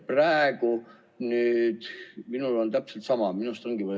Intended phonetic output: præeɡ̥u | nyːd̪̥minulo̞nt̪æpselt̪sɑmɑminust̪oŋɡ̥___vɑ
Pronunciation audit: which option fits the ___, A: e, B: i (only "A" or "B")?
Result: B